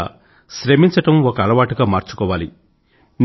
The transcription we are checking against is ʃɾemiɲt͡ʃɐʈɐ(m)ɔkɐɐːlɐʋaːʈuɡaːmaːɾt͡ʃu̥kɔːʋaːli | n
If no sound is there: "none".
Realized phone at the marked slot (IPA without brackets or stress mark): m